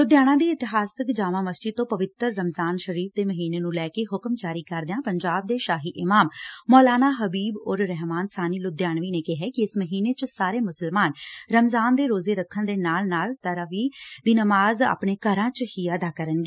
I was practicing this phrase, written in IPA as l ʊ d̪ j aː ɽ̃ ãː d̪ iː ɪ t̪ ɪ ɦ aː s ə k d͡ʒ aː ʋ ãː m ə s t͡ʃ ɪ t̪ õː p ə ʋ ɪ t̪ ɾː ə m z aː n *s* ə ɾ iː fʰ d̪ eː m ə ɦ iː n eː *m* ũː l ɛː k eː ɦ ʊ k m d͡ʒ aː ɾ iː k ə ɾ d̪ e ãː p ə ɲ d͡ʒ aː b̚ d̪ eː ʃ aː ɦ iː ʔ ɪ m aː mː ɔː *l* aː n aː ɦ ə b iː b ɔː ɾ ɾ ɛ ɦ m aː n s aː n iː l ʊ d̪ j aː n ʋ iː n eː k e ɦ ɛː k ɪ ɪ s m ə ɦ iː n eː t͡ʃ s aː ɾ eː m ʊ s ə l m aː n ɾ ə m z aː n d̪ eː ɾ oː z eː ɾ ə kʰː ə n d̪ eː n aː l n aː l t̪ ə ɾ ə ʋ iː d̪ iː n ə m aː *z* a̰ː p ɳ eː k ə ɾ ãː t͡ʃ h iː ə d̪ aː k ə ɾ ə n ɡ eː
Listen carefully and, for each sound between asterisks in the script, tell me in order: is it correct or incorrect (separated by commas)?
incorrect, incorrect, correct, correct